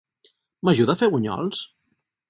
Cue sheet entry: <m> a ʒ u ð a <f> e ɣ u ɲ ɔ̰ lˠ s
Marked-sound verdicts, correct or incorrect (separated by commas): correct, correct